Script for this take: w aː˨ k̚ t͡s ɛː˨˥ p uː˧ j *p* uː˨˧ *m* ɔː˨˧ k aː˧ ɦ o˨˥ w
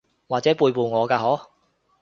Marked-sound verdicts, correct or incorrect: correct, incorrect: ŋ

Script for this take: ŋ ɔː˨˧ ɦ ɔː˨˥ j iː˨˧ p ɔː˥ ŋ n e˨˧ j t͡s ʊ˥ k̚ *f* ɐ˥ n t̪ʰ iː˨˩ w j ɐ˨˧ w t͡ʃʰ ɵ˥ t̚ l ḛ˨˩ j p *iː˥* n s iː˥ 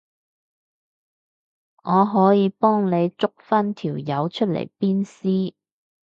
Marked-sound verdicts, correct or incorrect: correct, correct

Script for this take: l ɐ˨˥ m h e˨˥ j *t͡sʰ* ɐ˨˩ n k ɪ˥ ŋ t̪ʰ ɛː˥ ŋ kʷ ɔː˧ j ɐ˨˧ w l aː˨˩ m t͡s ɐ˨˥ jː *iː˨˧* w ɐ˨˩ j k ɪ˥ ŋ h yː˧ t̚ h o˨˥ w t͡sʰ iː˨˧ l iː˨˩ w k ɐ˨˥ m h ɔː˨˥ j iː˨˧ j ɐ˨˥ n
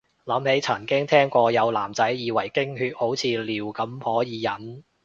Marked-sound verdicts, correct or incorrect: correct, correct

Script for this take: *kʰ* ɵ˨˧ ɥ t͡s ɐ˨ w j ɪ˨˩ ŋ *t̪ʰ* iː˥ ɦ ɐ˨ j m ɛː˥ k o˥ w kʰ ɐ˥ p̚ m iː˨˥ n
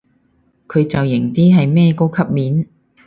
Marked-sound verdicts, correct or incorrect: correct, incorrect: t̪

